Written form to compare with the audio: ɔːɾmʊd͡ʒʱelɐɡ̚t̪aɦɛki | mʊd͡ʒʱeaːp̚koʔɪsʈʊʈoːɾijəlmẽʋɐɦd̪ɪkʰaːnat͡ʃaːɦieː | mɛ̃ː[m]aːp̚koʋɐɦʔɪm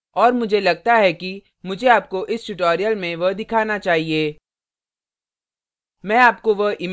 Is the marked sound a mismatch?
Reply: yes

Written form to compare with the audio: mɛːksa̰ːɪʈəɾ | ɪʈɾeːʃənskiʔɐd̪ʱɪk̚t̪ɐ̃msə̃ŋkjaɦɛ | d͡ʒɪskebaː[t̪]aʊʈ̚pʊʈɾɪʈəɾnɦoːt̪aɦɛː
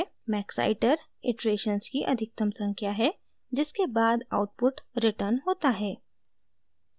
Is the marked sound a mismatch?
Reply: yes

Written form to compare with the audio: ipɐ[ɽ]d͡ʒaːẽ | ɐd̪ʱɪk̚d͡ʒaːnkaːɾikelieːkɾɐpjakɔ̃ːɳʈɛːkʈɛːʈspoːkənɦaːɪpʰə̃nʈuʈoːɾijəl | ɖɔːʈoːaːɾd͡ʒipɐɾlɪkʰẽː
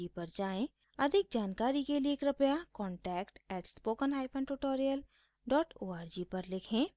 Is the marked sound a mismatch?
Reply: yes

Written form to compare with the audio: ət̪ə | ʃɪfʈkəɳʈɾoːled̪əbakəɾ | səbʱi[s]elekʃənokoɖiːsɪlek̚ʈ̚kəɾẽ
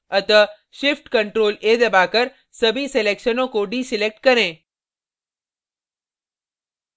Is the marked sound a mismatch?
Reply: no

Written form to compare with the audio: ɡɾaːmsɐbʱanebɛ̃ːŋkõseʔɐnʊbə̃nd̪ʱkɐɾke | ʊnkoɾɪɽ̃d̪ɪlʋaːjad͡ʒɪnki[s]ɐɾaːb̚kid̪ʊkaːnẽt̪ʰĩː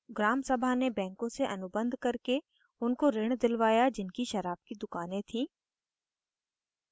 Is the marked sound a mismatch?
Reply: yes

